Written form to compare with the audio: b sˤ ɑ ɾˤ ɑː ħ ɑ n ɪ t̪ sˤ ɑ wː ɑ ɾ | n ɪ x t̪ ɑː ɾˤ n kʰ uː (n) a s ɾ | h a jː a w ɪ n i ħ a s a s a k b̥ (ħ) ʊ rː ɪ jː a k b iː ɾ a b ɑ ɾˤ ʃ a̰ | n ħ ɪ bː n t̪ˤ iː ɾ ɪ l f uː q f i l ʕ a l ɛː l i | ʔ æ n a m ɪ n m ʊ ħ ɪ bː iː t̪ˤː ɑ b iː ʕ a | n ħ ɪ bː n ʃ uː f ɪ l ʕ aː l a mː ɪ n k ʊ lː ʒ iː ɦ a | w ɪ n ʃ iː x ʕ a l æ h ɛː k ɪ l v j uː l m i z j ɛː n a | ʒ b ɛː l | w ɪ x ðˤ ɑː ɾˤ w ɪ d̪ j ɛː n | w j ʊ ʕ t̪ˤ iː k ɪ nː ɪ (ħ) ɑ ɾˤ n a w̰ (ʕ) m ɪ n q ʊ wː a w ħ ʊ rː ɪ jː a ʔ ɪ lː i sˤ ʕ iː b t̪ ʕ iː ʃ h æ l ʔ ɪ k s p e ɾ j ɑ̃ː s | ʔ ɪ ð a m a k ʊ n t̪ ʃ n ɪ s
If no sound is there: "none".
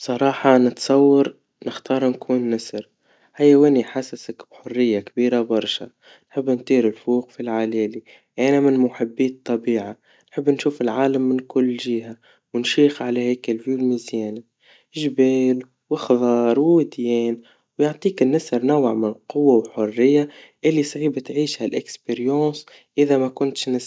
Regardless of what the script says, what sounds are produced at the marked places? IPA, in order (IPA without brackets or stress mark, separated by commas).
nː, ħ, s, ʕ